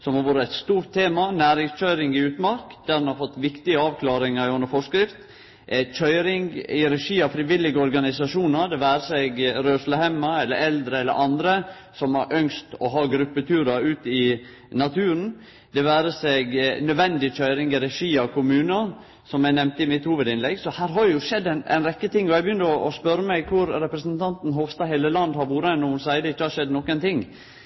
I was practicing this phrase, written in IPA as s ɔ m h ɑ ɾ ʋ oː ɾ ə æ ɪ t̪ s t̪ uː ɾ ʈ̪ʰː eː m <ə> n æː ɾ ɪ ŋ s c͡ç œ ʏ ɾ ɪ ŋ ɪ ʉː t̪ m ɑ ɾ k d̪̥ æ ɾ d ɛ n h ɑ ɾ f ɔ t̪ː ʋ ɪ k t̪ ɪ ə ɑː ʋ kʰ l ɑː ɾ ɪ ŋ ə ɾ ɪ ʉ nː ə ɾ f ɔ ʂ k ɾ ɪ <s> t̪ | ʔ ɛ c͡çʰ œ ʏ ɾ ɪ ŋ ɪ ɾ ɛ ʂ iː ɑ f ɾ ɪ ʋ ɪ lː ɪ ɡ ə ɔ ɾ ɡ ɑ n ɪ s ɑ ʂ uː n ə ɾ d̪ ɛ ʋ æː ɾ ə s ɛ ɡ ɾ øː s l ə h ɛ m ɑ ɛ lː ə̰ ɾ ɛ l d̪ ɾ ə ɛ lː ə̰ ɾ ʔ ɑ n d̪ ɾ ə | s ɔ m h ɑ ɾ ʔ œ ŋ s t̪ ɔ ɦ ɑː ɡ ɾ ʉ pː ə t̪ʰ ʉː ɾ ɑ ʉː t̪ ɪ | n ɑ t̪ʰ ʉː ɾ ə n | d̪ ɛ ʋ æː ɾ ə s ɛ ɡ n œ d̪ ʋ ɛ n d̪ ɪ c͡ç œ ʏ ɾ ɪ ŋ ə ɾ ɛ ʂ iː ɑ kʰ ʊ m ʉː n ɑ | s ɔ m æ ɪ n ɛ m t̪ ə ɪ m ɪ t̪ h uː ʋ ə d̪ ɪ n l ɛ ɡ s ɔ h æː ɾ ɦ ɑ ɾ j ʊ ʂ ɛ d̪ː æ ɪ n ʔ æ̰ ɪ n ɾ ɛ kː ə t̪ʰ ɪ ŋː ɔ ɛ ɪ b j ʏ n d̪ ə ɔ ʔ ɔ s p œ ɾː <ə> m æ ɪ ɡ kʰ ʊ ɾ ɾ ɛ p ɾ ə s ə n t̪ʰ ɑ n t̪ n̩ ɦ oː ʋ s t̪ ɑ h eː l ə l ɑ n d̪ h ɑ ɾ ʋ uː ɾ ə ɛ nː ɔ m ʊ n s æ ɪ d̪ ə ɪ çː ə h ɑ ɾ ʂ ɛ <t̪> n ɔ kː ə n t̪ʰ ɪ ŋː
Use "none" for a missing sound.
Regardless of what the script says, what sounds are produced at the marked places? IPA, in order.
ɑ, f, ə, d̪

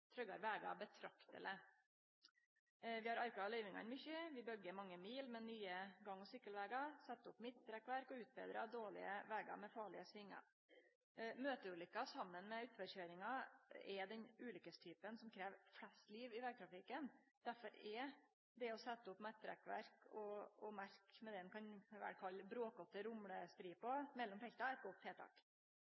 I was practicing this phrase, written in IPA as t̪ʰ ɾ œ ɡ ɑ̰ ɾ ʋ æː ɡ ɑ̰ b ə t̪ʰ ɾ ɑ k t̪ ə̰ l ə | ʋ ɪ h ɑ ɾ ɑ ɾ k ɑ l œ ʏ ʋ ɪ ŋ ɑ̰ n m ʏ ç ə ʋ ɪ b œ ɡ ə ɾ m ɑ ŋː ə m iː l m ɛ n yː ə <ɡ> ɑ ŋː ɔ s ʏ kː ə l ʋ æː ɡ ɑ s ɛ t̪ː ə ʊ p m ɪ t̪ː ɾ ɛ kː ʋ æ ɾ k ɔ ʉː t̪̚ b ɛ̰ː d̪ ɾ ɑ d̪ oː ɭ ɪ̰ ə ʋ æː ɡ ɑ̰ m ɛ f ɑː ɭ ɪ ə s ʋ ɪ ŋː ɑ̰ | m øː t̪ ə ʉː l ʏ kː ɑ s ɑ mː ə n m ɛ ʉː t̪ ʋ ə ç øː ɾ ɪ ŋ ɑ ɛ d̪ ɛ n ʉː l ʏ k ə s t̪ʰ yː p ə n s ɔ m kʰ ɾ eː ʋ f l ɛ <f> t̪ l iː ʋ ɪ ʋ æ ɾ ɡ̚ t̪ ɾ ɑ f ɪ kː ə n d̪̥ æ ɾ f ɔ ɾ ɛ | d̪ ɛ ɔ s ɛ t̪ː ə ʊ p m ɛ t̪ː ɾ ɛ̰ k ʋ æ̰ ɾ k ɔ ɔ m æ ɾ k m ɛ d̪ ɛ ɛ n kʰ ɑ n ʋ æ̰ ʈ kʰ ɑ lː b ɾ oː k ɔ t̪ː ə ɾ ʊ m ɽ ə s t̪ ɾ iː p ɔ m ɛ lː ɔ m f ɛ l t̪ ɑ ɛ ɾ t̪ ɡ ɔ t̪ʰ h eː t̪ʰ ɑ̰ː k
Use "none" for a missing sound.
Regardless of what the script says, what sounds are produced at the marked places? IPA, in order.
ɡ, s

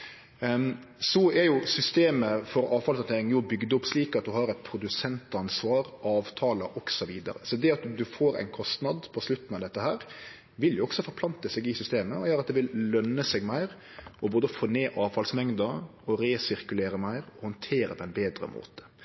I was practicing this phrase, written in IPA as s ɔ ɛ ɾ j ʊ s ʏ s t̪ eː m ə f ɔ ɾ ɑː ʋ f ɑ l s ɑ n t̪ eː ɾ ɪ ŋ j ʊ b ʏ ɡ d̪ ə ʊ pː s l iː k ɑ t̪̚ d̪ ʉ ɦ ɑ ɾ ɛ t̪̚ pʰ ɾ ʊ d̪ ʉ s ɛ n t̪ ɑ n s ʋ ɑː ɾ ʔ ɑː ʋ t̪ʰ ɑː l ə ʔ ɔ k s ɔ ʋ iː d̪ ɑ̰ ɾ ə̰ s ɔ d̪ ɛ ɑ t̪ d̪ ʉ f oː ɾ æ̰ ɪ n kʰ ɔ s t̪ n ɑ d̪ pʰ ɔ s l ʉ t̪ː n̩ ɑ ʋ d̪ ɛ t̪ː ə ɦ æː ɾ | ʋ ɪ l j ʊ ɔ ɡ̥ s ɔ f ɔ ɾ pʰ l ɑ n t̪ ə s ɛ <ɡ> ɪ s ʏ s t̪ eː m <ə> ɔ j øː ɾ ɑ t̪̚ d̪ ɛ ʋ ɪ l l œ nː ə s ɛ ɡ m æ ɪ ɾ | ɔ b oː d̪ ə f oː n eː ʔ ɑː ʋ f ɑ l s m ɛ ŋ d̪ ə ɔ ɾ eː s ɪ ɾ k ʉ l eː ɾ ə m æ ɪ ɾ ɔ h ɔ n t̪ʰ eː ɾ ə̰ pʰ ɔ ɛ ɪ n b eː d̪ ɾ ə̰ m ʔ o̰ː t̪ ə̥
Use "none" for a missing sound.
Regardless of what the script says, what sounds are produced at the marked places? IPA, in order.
ɡ, ə

